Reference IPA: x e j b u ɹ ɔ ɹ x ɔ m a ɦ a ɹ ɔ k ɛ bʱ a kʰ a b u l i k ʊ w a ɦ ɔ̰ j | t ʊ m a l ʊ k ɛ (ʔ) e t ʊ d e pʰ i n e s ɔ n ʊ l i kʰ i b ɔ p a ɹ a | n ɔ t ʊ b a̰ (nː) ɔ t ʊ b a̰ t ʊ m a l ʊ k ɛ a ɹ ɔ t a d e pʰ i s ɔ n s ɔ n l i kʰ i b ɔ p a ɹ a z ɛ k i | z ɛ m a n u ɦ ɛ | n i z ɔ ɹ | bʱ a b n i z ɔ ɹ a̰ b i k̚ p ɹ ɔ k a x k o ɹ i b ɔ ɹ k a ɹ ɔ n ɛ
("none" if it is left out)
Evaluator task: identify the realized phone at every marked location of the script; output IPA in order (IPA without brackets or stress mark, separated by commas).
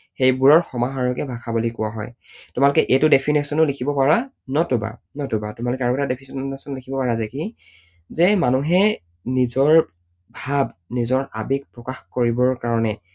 ʔ, n